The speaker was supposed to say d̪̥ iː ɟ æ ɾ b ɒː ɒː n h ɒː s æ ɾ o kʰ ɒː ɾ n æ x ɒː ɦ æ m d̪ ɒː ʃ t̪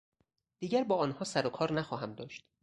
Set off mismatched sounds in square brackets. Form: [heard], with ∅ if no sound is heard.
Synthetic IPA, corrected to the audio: d̪̥ iː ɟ æ ɾ b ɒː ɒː n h ɒː s æ ɾ o kʰ ɒː ɾ n æ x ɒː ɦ æ m d̪ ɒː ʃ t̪